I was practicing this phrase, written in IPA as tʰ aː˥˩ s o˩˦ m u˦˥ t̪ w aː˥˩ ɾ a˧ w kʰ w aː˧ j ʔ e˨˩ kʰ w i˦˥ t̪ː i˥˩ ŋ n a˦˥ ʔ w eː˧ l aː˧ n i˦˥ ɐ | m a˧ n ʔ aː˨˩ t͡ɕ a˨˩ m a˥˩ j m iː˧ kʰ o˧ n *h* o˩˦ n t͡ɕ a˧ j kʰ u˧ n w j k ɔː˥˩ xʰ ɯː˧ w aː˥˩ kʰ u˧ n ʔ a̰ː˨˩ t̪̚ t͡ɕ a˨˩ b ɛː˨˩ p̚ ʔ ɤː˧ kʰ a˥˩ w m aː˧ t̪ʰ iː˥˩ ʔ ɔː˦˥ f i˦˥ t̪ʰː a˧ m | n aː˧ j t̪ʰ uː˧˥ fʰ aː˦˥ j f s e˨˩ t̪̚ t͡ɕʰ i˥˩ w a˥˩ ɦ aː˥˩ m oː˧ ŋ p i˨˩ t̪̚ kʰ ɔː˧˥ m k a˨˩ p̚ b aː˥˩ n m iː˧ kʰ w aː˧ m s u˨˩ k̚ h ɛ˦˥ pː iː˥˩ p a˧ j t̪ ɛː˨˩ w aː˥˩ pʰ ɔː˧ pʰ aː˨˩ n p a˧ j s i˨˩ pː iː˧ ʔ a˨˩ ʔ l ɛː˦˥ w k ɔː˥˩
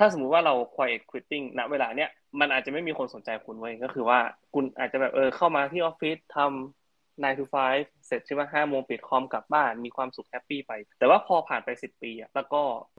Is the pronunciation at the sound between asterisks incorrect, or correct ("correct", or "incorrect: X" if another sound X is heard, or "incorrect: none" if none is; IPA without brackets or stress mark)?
incorrect: s